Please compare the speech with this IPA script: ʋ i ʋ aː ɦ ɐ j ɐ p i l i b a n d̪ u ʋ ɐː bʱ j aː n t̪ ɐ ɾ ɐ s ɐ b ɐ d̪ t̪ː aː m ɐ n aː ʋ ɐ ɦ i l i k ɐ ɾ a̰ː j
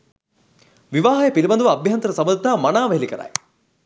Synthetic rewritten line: ʋ i ʋ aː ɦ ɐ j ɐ p i l i b ɐ n d̪ u ʋ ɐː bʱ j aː n t̪ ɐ ɾ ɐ s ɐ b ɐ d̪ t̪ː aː m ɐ n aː ʋ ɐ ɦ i l i k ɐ ɾ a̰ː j

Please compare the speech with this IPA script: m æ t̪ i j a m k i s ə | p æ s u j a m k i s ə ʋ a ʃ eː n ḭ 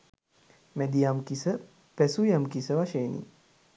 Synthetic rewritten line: m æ d̪ i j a m k i s ə | p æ s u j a m k i s ə ʋ a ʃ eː n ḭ

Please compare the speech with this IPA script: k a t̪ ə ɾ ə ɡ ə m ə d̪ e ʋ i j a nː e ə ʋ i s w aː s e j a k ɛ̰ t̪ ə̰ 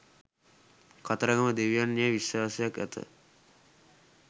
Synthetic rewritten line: k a t̪ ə ɾ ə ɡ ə m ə d̪ e ʋ i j a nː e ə ʋ i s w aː s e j a k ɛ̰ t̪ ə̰

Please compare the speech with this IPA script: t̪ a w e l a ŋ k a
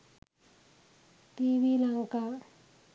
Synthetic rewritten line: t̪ i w i l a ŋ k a

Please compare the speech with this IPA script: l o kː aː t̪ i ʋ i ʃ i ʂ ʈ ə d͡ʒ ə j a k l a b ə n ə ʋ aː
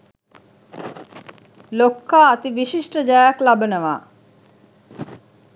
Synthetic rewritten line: l o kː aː t̪ i ʋ i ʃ i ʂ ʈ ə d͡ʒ a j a k l a b ə n ə ʋ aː

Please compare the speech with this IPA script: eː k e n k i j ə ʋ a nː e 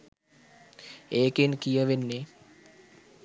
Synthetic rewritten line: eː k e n k i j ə ʋ e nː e

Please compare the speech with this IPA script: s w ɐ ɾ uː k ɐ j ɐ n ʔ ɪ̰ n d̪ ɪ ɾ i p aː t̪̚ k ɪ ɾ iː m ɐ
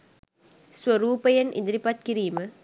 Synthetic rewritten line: s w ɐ ɾ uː p ɐ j ɐ n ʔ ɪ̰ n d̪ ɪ ɾ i p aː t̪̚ k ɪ ɾ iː m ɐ

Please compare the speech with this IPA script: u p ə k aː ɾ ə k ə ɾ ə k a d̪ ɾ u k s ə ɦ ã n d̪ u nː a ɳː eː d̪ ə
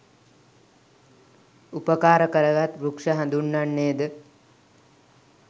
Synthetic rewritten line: u p ə k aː ɾ ə k ə ɾ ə ɡ a t̪ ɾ u k ʂ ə ɦ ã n d̪ u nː a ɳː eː d̪ ə

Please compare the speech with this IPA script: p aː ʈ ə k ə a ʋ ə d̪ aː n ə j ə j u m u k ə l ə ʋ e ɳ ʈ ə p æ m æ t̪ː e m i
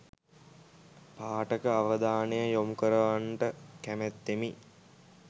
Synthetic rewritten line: p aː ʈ ə k ə a ʋ ə d̪ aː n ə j ə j o m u k ə ɾ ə ʋ a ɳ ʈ ə k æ m æ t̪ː e m i

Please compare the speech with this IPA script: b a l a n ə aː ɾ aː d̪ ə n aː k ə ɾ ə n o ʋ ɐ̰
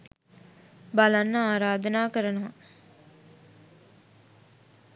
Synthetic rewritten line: b a l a nː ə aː ɾ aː d̪ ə n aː k ə ɾ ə n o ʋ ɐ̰

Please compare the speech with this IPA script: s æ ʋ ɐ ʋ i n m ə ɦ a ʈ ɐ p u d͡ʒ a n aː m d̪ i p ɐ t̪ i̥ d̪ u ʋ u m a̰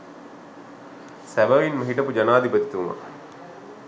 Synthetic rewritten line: s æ ʋ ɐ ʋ i n m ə ɦ i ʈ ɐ p u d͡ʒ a n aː d̪ i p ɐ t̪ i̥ t̪ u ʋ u m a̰

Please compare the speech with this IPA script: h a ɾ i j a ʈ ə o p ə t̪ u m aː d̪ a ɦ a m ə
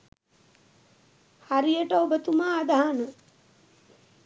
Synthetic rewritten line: h a ɾ i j ə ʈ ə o b ə t̪ u m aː d̪ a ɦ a n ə

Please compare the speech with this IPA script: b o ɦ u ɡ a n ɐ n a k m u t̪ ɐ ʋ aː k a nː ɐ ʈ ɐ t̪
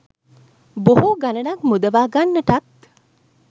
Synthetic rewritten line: b o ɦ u ɡ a n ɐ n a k m u d̪ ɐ ʋ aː ɡ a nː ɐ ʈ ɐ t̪

